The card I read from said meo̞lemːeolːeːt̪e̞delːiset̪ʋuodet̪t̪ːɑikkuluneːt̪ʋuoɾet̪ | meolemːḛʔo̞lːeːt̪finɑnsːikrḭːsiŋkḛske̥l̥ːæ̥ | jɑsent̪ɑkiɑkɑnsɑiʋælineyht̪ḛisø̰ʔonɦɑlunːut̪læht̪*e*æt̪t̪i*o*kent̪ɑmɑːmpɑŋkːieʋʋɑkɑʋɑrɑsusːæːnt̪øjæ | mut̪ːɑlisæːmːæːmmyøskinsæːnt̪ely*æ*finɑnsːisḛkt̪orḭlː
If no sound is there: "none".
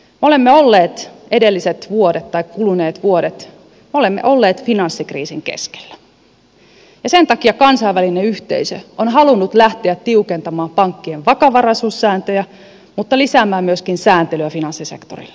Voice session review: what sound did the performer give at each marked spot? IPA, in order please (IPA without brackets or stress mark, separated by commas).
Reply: e, u, æ